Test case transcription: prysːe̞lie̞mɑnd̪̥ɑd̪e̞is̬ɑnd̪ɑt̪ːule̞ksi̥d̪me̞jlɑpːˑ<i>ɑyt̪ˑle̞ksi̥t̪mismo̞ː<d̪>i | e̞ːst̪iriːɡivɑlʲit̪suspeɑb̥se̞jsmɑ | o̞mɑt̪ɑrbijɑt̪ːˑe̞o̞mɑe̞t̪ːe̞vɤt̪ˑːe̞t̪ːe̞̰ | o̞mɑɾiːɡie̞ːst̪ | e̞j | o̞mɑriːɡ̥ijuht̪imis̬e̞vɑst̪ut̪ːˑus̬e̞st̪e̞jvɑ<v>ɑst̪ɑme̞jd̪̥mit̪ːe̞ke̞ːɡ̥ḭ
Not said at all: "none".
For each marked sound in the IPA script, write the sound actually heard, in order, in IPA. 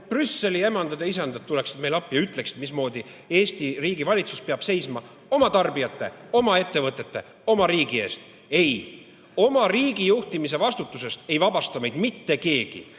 j, d̪, b

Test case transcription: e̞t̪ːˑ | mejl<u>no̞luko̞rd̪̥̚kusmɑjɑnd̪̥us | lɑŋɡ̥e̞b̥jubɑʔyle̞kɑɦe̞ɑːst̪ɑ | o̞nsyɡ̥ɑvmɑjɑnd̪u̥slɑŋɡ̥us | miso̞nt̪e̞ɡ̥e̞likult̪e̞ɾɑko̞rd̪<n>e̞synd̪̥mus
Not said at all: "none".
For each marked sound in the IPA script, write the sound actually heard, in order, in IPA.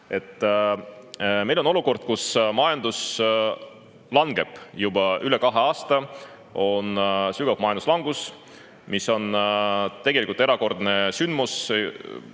o, n

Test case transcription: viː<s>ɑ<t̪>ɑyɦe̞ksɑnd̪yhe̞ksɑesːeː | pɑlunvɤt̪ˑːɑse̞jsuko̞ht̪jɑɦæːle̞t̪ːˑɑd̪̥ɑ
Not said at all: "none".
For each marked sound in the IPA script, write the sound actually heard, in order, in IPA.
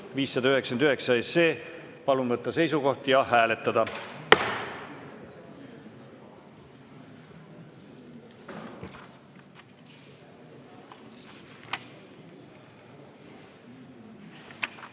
sː, d̪

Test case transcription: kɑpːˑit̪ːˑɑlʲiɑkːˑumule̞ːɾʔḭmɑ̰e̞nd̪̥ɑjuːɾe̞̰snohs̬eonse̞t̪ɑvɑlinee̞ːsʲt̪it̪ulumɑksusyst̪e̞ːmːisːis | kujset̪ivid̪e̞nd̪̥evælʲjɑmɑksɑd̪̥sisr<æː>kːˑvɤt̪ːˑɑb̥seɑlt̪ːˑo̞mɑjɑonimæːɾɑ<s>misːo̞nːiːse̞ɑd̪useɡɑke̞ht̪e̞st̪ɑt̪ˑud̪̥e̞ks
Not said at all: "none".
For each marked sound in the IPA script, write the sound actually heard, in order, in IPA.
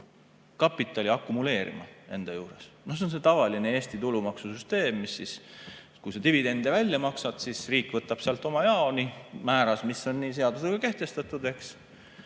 iː, s

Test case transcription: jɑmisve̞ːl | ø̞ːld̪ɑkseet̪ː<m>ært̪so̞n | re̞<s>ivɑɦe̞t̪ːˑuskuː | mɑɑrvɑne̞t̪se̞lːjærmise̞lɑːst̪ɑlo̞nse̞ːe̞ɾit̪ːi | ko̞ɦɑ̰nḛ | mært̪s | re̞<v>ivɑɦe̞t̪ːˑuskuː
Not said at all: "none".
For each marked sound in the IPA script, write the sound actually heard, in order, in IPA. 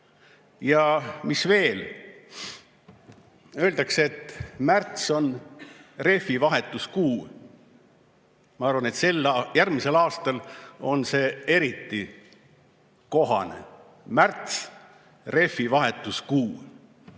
m, f, f

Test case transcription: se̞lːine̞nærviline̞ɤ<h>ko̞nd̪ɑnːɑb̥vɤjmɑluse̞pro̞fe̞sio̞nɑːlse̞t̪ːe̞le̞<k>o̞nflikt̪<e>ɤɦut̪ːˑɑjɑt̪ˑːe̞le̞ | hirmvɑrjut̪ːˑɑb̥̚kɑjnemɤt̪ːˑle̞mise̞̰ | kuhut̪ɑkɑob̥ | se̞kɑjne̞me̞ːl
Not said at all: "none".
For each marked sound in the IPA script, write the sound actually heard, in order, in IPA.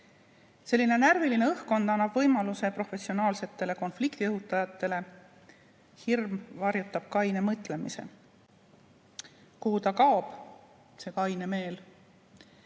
h, k, i

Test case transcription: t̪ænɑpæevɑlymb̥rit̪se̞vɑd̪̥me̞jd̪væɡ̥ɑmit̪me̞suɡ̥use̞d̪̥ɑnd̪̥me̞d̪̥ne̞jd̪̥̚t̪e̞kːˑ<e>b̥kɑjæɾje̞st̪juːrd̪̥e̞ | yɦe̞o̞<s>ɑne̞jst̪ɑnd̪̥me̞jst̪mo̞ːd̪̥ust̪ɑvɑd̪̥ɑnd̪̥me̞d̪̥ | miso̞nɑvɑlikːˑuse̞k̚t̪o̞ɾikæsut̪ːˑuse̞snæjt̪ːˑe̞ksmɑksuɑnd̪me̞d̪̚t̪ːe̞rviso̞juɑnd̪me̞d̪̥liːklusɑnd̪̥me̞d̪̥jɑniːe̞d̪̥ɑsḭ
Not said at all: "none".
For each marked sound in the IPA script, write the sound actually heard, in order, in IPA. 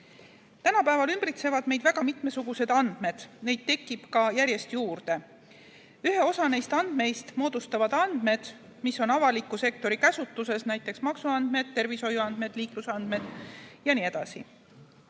i, s

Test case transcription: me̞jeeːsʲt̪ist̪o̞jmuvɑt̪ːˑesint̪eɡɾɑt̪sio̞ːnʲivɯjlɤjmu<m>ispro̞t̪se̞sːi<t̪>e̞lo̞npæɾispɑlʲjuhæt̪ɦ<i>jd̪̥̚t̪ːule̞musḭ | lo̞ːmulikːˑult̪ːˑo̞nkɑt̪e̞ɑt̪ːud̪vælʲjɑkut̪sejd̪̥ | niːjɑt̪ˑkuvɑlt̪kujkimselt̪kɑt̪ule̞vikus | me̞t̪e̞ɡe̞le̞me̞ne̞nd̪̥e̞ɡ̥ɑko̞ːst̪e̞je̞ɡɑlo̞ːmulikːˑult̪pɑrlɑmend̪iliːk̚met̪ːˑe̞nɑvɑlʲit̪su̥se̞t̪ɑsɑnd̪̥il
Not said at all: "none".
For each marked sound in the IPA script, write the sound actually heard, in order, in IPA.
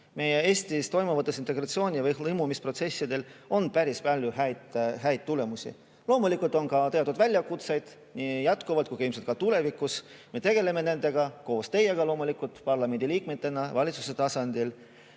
m, d̪, æ

